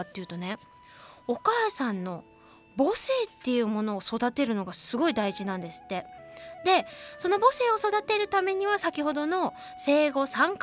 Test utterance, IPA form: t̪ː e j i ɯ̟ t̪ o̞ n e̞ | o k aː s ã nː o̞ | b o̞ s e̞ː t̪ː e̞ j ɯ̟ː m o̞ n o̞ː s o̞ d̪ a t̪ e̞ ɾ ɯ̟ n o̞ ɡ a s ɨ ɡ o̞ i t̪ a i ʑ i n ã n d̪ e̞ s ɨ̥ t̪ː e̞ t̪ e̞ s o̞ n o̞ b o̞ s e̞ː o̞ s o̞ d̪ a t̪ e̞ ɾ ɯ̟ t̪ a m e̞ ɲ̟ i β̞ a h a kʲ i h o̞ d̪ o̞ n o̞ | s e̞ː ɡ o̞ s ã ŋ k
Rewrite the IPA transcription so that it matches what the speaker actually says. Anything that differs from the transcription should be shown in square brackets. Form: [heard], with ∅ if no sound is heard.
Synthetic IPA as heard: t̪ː e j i ɯ̟ t̪ o̞ n e̞ | o k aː s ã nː o̞ | b o̞ s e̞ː t̪ː e̞ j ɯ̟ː m o̞ n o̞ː s o̞ d̪ a t̪ e̞ ɾ ɯ̟ n o̞ ɡ a s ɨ ɡ o̞ i [d̪] a i ʑ i n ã n d̪ e̞ s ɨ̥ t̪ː e̞ [d̪] e̞ s o̞ n o̞ b o̞ s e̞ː o̞ s o̞ d̪ a t̪ e̞ ɾ ɯ̟ t̪ a m e̞ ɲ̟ i β̞ a [s] a kʲ i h o̞ d̪ o̞ n o̞ | s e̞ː ɡ o̞ s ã ŋ k